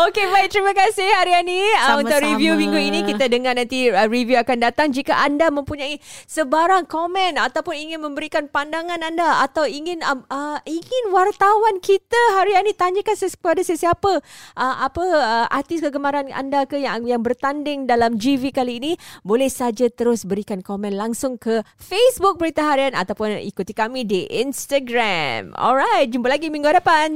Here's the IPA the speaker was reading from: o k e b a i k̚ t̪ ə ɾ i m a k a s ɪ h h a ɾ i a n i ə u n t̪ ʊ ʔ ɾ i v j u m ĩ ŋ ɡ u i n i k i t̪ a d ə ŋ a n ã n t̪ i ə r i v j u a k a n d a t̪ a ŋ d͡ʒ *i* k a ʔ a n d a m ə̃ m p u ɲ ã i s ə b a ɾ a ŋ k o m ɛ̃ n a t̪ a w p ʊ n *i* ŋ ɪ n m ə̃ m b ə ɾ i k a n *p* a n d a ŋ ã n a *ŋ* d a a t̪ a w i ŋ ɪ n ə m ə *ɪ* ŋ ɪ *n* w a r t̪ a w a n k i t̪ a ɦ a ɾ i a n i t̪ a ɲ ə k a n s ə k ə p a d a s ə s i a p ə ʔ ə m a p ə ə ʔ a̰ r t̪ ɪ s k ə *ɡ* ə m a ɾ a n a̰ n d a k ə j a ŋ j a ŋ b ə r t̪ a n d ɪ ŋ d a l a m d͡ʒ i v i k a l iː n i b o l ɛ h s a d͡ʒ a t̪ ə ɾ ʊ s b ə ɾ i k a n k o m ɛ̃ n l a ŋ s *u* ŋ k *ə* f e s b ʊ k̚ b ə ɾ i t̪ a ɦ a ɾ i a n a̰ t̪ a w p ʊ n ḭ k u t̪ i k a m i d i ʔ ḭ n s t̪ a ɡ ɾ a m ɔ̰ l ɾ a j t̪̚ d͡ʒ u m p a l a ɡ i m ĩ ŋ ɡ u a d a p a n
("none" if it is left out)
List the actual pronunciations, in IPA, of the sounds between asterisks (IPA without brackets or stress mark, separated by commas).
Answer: i, i, p, n, i, n, ɡ, ʊ, ə